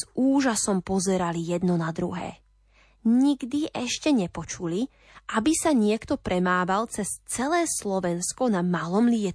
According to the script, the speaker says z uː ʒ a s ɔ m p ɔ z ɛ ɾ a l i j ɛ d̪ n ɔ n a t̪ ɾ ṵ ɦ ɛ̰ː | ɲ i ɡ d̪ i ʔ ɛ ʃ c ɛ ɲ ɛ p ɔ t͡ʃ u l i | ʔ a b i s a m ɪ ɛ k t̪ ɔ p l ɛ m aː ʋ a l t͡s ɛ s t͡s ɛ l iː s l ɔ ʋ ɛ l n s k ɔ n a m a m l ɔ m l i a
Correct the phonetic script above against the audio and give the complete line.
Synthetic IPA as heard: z uː ʒ a s ɔ m p ɔ z ɛ ɾ a l i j ɛ d̪ n ɔ n a d̪ ɾ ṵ ɦ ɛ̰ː | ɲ i ɡ d̪ i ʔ ɛ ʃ c ɛ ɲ ɛ p ɔ t͡ʃ u l i | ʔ a b i s a ɲ ɪ ɛ k t̪ ɔ p ɾ ɛ m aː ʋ a l t͡s ɛ s t͡s ɛ l ɛː s l ɔ ʋ ɛ n s k ɔ n a m a l ɔ m l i ɛ